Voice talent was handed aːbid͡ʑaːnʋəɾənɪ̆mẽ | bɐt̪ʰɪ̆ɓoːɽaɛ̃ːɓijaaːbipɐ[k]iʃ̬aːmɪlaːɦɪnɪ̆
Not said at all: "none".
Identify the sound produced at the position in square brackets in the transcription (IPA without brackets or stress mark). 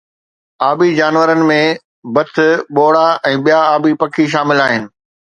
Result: kʰ